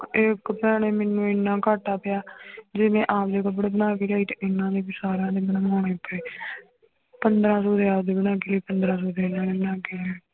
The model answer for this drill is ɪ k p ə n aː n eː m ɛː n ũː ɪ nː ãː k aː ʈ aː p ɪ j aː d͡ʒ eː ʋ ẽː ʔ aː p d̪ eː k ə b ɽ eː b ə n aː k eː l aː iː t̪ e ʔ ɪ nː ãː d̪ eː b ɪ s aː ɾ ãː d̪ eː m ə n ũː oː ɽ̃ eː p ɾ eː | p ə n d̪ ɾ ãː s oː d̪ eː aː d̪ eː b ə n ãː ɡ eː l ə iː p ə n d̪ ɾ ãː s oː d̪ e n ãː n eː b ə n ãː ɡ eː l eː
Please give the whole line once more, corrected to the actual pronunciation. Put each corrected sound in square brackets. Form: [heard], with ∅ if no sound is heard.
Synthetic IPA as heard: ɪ k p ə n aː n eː m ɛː n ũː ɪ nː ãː k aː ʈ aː p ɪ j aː d͡ʒ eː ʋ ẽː ʔ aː p d̪ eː k ə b ɽ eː b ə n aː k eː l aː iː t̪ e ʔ ɪ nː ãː d̪ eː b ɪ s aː ɾ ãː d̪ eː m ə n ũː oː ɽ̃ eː p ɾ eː | p ə n d̪ ɾ ãː s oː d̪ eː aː d̪ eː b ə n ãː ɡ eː l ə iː p ə n d̪ ɾ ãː s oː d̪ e n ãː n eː b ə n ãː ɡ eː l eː